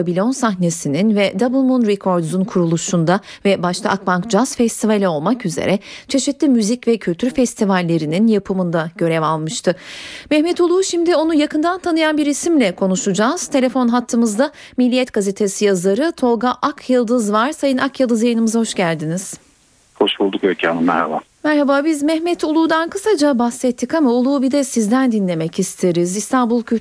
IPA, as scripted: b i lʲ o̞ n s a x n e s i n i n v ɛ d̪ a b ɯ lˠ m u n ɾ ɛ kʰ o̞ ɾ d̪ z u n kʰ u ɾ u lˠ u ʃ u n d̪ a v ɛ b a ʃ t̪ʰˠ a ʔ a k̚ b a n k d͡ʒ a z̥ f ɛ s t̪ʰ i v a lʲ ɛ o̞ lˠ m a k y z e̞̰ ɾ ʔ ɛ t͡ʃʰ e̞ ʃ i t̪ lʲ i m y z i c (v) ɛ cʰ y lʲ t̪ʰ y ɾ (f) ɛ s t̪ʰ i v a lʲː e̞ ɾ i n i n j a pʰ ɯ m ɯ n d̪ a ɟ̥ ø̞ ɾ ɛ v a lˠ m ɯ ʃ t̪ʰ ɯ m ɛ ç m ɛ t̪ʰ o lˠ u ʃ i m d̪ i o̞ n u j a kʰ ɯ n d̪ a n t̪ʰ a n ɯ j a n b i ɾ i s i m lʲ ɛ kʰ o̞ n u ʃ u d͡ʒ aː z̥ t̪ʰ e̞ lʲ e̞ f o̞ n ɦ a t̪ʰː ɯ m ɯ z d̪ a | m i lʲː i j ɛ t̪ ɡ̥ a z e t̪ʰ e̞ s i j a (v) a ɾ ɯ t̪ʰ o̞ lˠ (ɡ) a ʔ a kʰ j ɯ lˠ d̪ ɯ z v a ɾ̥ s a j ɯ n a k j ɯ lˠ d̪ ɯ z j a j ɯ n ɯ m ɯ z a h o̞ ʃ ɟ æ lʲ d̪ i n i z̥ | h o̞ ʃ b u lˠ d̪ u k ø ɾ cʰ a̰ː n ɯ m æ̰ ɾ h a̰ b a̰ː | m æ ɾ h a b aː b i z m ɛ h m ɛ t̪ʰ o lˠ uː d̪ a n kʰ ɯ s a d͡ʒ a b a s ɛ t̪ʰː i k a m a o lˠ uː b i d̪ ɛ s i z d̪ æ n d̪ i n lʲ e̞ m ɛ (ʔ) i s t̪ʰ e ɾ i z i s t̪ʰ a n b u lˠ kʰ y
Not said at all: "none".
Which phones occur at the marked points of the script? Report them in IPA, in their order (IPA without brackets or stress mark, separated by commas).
v, f, z, ɡ, c